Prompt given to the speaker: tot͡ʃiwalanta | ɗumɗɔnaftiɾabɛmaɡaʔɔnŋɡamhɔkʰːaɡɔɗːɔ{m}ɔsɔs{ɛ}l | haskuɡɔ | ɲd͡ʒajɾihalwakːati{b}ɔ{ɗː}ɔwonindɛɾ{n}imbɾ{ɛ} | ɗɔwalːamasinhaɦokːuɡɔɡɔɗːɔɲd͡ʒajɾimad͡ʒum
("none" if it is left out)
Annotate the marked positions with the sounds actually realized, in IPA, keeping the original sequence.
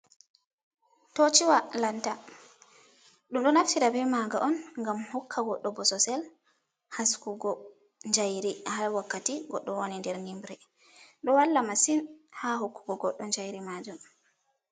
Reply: b, ɛ, ɡ, ɗː, n, ɛ

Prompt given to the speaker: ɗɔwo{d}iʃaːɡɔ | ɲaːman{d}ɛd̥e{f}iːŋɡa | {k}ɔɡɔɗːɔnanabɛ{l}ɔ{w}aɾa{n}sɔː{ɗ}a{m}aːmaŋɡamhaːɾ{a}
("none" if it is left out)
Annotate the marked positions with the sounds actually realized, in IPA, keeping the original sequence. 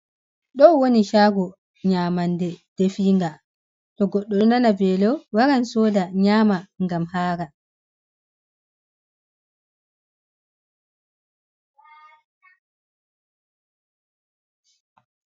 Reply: n, d, f, t, l, w, n, d, ɲ, a

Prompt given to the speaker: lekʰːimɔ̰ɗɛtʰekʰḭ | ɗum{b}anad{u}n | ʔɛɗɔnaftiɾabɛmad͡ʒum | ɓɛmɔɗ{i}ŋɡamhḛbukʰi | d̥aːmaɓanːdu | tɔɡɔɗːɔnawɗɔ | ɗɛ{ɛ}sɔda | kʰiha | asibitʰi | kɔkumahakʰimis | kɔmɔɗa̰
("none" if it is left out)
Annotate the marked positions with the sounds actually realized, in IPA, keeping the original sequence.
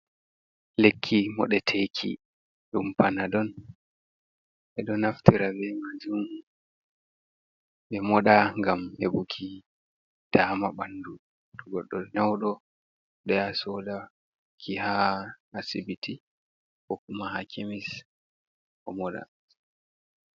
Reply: p, ɔ, a, a

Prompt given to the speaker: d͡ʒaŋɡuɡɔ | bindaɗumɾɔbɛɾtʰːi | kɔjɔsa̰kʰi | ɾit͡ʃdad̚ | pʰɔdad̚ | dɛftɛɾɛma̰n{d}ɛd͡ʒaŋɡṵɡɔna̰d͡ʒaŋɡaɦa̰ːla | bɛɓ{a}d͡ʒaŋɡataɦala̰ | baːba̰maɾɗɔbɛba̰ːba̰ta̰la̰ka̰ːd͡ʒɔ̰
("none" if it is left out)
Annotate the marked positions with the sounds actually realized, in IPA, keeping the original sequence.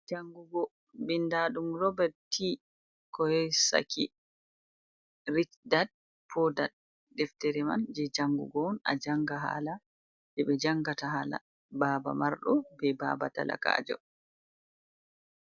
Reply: d͡ʒ, ɛ

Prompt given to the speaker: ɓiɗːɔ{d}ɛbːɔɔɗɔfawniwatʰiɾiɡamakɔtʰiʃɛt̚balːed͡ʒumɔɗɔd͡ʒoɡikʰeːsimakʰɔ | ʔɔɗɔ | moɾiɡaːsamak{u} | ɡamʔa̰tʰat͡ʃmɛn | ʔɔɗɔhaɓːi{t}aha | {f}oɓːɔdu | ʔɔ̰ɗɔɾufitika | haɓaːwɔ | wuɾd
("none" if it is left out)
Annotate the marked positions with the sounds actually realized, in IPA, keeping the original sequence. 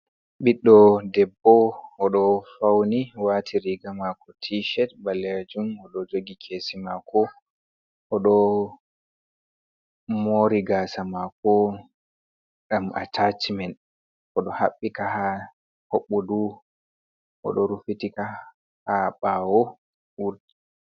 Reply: d, ɔ, k, h

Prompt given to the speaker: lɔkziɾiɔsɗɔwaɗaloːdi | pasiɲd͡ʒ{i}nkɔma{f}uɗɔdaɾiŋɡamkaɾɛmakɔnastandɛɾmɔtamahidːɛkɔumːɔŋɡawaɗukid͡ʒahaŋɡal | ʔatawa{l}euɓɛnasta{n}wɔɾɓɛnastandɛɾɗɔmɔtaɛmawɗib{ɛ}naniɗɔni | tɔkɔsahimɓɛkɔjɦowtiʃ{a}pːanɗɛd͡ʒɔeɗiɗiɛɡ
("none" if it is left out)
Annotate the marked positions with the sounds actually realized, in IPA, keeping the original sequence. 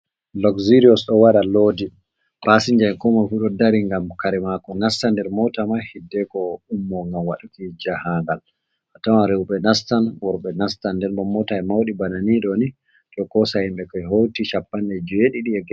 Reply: a, f, ɾ, n, a, a

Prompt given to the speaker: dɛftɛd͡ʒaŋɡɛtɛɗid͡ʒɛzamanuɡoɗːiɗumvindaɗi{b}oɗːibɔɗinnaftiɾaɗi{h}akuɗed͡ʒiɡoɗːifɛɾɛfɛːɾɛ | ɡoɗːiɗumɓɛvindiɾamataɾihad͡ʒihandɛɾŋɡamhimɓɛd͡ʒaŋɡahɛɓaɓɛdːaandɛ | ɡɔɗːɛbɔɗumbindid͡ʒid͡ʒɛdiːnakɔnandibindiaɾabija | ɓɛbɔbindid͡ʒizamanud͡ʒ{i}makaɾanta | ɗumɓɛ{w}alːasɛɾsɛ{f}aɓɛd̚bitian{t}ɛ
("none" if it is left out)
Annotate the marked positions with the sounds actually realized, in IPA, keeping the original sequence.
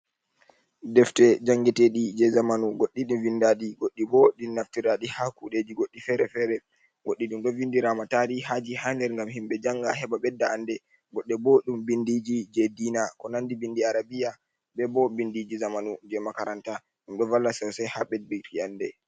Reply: ɡ, h, ɛ, v, h, d

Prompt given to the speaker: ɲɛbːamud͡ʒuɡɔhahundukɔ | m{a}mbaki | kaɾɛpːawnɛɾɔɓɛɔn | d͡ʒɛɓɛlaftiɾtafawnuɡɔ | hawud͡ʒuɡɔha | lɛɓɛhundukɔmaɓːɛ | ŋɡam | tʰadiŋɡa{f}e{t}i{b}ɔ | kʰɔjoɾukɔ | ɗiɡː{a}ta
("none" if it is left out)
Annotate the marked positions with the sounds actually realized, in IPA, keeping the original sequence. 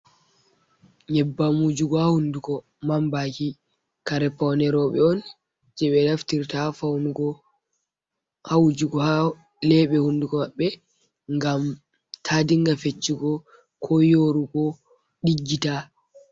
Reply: a, f, t͡ʃː, ɡ, i

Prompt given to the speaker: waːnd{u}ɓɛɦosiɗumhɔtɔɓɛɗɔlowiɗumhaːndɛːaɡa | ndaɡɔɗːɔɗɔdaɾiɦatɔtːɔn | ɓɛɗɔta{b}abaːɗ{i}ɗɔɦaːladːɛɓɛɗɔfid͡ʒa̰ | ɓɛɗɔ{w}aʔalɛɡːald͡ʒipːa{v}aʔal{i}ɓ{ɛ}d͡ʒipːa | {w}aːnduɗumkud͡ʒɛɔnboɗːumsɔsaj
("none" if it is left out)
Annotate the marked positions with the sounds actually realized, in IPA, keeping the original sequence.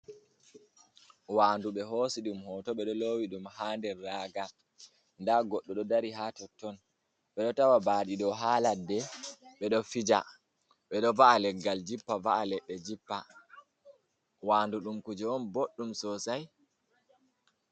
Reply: u, w, i, v, v, ɛ, ɛ, w

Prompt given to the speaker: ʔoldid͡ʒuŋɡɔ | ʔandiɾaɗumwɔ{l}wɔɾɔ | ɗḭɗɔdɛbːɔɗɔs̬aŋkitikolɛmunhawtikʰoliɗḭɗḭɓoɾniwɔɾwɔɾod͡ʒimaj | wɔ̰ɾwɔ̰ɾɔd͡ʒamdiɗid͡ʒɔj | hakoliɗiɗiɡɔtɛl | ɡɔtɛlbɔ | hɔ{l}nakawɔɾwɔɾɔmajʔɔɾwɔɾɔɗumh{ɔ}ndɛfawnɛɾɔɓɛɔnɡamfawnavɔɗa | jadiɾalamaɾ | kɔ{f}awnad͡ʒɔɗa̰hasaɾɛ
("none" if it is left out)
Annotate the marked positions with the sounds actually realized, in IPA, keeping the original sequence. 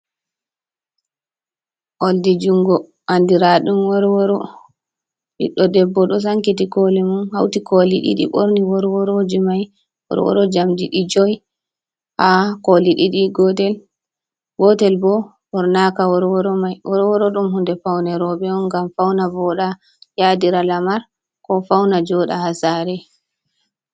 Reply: ɾ, ɾ, u, f

